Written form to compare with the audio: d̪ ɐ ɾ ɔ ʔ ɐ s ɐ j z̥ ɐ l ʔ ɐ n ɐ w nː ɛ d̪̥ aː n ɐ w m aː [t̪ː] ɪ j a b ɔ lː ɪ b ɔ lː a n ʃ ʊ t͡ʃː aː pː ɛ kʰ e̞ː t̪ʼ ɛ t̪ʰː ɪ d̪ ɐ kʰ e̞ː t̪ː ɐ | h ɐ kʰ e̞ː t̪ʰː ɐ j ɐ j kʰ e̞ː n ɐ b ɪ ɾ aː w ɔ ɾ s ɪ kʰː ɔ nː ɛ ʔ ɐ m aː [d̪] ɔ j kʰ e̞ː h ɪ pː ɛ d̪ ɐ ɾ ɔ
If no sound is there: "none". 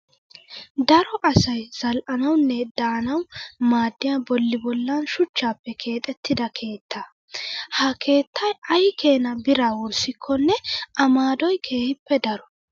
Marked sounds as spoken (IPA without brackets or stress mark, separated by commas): d̪ː, d̪